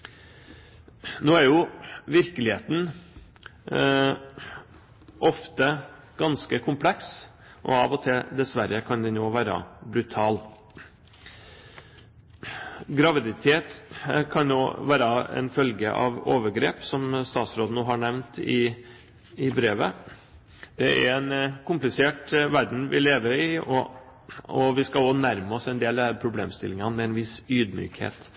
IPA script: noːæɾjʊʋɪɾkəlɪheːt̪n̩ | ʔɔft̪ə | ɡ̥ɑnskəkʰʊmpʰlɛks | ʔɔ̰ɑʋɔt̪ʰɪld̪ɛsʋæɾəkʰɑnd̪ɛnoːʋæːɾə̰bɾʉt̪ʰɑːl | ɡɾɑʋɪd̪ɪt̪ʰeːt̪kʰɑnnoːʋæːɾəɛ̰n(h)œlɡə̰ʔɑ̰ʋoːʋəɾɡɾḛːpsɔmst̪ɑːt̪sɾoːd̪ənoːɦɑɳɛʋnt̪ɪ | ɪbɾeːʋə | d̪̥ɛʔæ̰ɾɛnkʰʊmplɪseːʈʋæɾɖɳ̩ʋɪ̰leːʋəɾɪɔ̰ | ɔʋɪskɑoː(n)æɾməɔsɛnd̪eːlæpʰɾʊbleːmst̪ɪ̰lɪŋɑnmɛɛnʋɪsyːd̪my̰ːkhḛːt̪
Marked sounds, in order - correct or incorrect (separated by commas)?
incorrect, correct